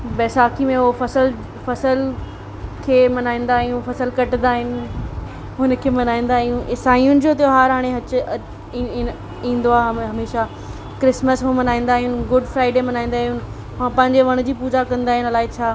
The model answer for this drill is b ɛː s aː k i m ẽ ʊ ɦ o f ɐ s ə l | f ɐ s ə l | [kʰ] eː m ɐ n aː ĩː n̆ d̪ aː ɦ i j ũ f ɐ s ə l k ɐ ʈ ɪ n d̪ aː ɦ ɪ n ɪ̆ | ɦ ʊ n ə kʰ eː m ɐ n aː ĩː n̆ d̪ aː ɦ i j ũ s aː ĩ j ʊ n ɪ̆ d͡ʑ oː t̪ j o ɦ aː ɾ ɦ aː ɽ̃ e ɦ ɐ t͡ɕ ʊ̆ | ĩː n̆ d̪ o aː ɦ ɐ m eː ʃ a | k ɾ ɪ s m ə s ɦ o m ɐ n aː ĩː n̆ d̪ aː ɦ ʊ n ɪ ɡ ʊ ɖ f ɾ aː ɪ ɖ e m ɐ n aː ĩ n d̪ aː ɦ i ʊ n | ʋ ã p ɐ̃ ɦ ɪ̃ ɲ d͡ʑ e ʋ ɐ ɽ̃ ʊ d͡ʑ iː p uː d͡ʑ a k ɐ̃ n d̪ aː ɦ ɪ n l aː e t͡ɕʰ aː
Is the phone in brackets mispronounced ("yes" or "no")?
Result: no